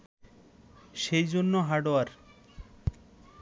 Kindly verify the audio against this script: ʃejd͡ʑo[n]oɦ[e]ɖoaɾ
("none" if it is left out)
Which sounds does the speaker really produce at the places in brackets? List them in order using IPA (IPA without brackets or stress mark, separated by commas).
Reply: nː, a